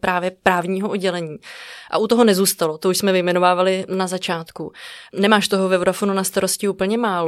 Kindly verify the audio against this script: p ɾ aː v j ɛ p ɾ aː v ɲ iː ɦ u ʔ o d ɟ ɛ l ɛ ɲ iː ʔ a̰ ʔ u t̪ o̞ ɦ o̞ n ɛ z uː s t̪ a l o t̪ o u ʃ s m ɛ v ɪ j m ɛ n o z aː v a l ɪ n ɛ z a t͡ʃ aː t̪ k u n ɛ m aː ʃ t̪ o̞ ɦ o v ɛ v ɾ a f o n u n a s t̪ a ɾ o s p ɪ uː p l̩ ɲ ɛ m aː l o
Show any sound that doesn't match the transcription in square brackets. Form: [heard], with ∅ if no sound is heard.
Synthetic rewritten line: p ɾ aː v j ɛ p ɾ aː v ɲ iː ɦ [o] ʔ o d ɟ ɛ l ɛ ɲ iː ʔ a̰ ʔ u t̪ o̞ ɦ o̞ n ɛ z uː s t̪ a l o t̪ o u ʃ s m ɛ v ɪ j m ɛ n o [v] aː v a l ɪ n [a] z a t͡ʃ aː t̪ k u n ɛ m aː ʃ t̪ o̞ ɦ o v ɛ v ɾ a f o n u n a s t̪ a ɾ o s [c] ɪ uː p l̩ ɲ ɛ m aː l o